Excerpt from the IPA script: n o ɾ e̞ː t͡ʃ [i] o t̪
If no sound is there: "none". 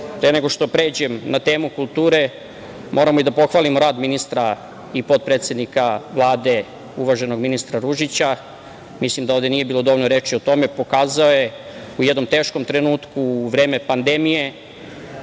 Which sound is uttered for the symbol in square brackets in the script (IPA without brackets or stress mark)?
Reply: i